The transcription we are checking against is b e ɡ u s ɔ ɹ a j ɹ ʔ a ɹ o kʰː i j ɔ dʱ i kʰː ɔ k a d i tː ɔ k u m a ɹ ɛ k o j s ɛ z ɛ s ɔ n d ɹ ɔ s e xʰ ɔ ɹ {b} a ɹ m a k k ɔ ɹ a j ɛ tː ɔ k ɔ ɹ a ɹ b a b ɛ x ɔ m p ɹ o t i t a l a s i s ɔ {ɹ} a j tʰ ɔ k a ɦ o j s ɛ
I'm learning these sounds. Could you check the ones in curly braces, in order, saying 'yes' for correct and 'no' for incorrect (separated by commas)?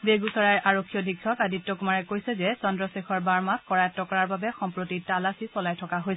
yes, no